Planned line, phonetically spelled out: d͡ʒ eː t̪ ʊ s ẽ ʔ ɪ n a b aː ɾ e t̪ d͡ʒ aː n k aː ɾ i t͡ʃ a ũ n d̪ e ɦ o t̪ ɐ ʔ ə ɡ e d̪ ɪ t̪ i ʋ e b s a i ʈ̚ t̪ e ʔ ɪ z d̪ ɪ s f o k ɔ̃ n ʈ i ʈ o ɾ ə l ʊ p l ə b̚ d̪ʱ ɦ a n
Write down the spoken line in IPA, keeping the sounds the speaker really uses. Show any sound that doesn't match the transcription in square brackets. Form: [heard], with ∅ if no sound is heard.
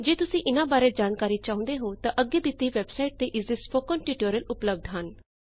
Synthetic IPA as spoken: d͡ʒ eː t̪ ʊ s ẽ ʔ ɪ n a b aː ɾ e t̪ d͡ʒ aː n k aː ɾ i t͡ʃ a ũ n d̪ e ɦ o t̪ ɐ ʔ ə ɡ e d̪ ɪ t̪ i ʋ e b s a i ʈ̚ t̪ e ʔ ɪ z d̪ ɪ s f o k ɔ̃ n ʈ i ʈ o ɾ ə l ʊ p l ə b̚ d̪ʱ ɦ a n

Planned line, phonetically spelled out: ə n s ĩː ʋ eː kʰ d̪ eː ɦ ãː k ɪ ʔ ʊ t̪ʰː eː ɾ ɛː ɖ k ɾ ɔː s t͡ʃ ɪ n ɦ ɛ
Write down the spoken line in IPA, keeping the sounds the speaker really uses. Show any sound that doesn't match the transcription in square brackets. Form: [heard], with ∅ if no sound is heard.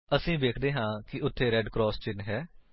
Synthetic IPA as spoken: ə [∅] s ĩː ʋ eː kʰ d̪ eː ɦ ãː k ɪ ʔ ʊ t̪ʰː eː ɾ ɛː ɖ k ɾ ɔː s t͡ʃ ɪ n ɦ [ɛː]

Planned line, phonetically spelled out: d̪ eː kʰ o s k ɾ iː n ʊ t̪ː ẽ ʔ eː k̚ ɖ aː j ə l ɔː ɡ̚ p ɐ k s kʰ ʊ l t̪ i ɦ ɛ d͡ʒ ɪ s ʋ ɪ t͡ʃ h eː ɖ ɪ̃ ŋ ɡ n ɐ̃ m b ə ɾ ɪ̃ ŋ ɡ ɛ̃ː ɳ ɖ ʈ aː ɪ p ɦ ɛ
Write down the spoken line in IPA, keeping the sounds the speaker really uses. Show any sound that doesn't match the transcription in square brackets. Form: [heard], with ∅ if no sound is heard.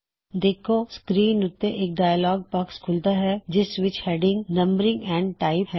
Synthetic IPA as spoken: d̪ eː kʰ o s k ɾ iː n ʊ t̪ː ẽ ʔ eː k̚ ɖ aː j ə l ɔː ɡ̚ p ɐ k s kʰ ʊ l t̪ [a] ɦ ɛ d͡ʒ ɪ s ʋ ɪ t͡ʃ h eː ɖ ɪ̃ ŋ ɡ n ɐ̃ m b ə ɾ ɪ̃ ŋ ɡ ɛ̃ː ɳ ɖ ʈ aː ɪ p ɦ ɛ

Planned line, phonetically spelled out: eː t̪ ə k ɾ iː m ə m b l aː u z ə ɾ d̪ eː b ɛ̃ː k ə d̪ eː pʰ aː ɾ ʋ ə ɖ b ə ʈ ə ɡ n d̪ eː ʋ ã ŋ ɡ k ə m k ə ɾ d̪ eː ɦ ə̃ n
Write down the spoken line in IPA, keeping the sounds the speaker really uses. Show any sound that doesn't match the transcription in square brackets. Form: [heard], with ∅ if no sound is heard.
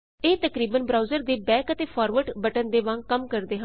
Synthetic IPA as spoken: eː t̪ ə k ɾ iː [b] ə [n] b [ɾ] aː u z ə ɾ d̪ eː b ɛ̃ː k ə [t̪] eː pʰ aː ɾ ʋ ə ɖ b ə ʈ ə [∅] n d̪ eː ʋ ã ŋ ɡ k ə m k ə ɾ d̪ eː ɦ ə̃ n

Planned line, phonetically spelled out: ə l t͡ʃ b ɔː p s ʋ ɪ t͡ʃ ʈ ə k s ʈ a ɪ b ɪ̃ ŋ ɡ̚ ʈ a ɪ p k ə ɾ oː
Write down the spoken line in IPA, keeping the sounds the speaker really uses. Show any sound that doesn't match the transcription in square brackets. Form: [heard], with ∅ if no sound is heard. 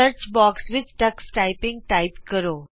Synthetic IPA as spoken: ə [ɾ] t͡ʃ b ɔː [k] s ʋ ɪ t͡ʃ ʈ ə k s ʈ a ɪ [p] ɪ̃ ŋ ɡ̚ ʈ a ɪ p k ə ɾ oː

